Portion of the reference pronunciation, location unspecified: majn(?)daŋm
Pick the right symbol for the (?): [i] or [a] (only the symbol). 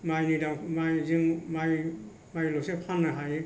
i